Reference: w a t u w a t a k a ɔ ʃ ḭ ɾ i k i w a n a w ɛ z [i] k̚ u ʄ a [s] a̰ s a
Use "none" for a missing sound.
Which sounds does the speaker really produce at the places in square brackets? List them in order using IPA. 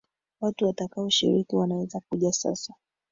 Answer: a, s

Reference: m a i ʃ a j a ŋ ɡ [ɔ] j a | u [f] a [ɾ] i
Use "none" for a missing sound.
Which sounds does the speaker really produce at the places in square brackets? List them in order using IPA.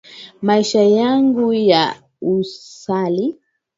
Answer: u, s, l

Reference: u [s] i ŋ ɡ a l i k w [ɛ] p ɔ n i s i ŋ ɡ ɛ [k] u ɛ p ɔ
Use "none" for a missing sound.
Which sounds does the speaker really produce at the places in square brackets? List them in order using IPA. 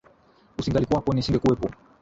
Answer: s, a, k

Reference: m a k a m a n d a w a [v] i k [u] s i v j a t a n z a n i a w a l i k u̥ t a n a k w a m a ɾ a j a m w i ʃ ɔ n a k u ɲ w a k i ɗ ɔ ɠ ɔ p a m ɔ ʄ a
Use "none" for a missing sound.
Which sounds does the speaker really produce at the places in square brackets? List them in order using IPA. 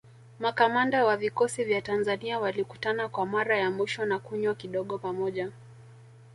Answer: v, ɔ

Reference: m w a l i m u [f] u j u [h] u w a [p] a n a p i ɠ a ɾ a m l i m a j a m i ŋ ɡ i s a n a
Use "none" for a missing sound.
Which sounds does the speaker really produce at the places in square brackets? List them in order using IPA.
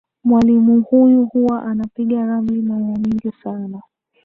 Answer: h, h, ʔ

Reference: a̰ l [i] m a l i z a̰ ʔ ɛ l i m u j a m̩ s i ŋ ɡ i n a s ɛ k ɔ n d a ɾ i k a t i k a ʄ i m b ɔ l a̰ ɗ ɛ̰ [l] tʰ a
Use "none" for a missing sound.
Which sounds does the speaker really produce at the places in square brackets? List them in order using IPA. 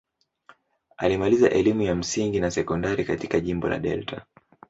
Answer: i, l

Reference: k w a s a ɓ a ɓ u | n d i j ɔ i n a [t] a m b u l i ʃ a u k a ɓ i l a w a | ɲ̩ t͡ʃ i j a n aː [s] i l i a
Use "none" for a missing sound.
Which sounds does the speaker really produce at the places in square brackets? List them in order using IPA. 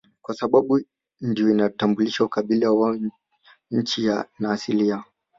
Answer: t, s

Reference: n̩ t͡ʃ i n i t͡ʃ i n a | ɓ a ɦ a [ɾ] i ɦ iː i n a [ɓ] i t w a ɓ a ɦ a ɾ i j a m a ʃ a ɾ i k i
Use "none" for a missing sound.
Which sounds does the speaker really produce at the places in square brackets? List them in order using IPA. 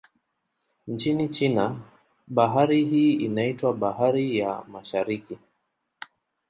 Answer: ɾ, none

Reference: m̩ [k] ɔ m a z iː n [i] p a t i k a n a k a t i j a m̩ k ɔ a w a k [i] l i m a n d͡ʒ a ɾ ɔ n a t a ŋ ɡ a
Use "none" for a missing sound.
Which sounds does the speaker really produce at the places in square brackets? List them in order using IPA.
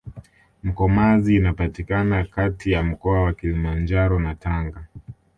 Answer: k, a, i

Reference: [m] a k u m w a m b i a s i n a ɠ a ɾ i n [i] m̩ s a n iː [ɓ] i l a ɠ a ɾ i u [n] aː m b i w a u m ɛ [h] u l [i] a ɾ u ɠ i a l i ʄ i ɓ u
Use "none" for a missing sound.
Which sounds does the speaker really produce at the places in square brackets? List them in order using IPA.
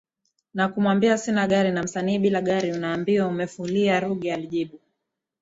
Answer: n, a, ɓ, n, f, i

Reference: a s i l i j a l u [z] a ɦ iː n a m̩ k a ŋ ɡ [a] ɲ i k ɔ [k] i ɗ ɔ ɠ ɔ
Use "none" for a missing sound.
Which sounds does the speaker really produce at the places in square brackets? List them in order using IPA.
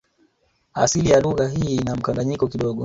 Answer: ɣ, a, k

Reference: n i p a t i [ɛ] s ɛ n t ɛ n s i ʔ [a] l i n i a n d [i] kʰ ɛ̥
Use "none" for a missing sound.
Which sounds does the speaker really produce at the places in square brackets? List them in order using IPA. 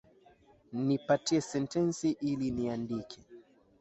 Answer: ɛ, i, i

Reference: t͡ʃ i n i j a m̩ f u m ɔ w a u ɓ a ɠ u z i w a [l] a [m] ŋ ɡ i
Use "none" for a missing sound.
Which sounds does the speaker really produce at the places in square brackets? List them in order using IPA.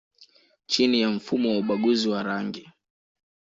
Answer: ɾ, none

